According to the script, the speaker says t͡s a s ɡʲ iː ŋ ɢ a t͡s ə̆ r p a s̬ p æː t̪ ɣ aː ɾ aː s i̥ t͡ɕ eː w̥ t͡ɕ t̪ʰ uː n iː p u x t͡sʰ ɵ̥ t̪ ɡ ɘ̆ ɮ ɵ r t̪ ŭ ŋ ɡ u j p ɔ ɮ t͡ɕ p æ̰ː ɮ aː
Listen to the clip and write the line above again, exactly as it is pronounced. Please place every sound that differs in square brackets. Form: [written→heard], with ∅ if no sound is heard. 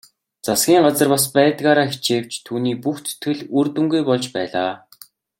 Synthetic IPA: t͡s a s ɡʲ iː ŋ ɢ a t͡s ə̆ r p a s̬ p æː t̪ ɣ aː ɾ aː [s→x] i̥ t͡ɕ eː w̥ t͡ɕ t̪ʰ uː n iː p u x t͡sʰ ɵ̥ t̪ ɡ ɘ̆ ɮ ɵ r t̪ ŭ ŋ ɡ u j p ɔ ɮ t͡ɕ p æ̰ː ɮ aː